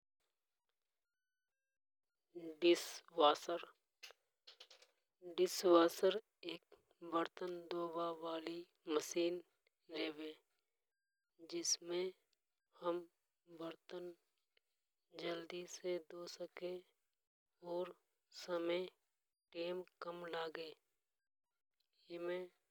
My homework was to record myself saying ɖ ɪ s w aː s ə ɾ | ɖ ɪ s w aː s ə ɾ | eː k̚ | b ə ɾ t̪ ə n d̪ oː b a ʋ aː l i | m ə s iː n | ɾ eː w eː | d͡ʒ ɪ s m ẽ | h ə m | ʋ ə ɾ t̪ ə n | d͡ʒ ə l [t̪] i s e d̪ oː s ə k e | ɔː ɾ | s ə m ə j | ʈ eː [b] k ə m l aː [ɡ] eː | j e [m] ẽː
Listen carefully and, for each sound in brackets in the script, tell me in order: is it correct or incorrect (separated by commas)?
incorrect, incorrect, correct, correct